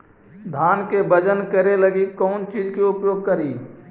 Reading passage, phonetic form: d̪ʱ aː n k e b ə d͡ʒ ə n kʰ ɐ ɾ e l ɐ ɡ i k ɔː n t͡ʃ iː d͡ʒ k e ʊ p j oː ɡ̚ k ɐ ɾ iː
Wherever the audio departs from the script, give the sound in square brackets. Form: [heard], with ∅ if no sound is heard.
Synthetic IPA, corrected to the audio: d̪ʱ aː n k e b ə d͡ʒ ə n [k] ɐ ɾ e l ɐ ɡ i k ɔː n t͡ʃ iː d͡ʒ k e ʊ p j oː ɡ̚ k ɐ ɾ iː